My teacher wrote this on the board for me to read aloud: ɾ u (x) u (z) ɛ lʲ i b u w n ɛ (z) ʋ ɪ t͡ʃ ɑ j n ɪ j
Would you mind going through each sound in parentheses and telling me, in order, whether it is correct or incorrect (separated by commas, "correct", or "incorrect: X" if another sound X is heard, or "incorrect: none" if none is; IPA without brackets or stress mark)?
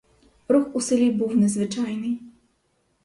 correct, incorrect: s, correct